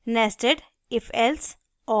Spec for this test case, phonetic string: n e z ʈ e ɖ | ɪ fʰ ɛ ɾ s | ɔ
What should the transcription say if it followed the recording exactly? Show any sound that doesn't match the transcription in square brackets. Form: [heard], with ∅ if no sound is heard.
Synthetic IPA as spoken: n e [s] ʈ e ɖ | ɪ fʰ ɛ [l] s | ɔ